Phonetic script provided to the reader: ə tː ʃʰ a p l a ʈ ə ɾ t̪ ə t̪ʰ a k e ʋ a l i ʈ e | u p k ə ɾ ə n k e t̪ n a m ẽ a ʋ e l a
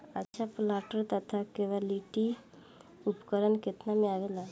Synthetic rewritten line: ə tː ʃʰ a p l a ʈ ə ɾ t̪ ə t̪ʰ a k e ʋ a l i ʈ i | u p k ə ɾ ə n k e t̪ n a m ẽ a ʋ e l a